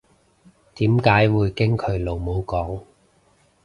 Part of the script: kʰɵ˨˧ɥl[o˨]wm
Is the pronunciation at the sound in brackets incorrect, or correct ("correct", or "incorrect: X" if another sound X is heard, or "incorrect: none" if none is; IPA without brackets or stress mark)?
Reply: correct